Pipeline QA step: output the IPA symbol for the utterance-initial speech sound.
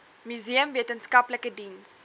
m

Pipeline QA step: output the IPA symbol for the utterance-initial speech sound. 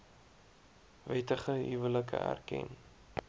v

